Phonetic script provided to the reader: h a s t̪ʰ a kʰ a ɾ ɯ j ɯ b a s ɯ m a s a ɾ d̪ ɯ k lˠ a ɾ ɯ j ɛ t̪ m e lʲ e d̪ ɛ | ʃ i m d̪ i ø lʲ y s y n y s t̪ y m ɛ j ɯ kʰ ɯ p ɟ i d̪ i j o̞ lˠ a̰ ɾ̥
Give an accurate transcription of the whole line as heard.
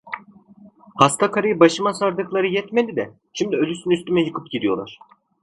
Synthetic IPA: h a s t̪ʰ a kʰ a ɾ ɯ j ɯ b a ʃ ɯ m a s a ɾ d̪ ɯ k lˠ a ɾ ɯ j ɛ t̪ m e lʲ i d̪ ɛ | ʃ i m d̪ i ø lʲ y s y n y s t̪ y m ɛ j ɯ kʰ ɯ p ɟ i d̪ i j o̞ lˠ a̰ ɾ̥